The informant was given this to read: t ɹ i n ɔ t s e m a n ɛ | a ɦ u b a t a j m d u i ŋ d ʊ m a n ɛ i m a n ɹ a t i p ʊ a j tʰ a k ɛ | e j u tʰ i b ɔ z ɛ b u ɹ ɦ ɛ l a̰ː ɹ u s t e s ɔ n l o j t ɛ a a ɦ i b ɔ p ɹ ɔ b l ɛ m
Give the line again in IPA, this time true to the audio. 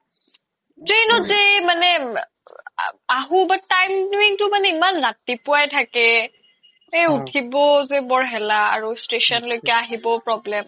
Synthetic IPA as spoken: t ɹ e n ɔ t z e m a n ɛ | a ɦ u b a t a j m d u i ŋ t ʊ m a n ɛ i m a n ɹ a t i p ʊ a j tʰ a k ɛ | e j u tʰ i b ɔ z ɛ b ɔ ɹ ɦ ɛ l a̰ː ɹ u s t e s ɔ n l o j k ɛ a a ɦ i b ɔ p ɹ ɔ b l ɛ m